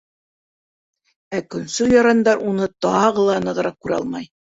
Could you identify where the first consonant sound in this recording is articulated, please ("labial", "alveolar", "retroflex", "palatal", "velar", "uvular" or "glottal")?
velar